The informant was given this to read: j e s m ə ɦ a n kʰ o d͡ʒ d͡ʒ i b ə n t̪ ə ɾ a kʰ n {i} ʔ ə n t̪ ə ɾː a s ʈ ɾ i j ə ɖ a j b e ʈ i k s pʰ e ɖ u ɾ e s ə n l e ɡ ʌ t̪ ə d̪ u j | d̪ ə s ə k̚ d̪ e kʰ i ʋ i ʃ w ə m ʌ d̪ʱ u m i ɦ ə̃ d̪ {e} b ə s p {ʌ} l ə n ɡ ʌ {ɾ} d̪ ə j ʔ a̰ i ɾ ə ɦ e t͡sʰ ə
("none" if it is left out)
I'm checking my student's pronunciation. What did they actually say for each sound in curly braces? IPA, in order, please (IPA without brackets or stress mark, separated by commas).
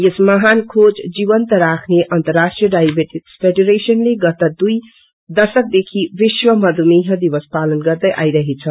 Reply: e, i, a, ɾ